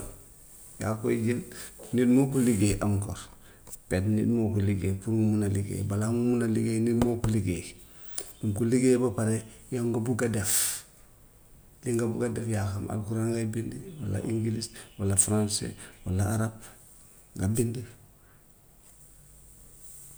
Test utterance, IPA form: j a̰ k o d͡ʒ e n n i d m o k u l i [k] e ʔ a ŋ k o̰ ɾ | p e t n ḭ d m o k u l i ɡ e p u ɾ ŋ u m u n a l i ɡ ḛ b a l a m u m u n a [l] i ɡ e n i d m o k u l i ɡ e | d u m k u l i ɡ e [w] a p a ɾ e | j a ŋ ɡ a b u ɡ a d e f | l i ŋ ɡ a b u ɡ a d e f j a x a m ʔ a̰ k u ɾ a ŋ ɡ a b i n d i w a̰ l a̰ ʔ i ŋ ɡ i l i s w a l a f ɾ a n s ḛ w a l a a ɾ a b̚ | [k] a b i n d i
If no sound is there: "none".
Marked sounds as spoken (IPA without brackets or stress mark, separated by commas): ɡ, l, b, ɡ